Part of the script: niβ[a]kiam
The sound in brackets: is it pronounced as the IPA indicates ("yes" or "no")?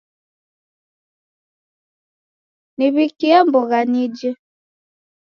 no